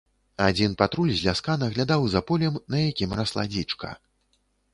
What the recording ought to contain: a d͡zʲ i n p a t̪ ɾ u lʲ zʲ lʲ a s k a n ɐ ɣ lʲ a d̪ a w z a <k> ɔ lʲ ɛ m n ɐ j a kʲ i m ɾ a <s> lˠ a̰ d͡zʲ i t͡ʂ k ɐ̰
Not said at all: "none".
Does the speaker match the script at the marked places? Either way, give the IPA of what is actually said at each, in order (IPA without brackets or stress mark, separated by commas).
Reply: p, s